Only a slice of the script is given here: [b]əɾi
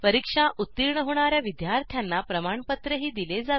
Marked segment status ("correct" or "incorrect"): incorrect